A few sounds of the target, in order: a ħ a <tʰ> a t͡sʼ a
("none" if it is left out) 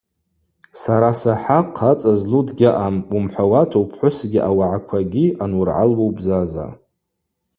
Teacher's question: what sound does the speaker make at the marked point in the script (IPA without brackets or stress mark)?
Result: qʰ